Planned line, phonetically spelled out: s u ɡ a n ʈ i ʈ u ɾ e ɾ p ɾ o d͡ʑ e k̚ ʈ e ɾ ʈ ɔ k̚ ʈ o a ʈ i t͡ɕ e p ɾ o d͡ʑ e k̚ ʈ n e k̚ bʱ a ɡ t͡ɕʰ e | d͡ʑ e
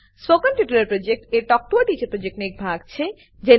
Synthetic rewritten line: s o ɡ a n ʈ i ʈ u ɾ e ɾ p ɾ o d͡ʑ e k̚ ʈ e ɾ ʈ ɔ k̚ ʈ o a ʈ i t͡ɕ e p ɾ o d͡ʑ e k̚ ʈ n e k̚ bʱ a ɡ t͡ɕʰ e | d͡ʑ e